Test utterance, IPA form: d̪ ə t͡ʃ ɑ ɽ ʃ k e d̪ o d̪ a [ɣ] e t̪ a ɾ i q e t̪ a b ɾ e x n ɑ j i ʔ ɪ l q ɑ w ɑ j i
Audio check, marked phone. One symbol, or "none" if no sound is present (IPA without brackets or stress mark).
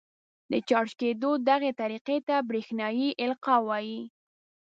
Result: ɣ